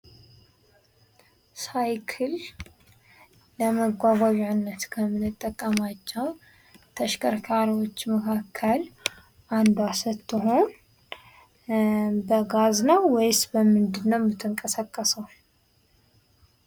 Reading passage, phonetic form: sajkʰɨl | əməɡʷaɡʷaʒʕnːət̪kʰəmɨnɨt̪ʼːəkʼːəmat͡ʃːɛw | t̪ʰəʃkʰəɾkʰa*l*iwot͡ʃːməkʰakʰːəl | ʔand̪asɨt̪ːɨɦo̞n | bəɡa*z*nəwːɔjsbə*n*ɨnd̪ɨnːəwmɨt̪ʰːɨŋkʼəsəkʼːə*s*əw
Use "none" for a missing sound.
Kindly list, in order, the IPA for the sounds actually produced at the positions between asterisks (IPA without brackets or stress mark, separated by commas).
ɾ, z, m, s